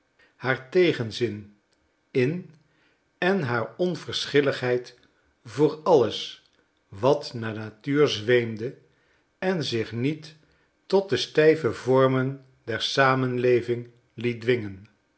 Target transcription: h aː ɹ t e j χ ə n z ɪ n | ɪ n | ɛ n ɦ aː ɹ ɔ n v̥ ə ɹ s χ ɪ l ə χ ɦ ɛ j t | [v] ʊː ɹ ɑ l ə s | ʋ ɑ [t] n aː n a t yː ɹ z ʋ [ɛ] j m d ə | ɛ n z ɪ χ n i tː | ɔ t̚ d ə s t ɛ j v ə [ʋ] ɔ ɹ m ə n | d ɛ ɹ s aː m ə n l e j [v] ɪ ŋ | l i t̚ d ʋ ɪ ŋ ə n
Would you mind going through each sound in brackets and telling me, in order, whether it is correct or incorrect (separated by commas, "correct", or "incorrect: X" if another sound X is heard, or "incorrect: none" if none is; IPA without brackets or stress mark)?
correct, correct, incorrect: e, incorrect: v, correct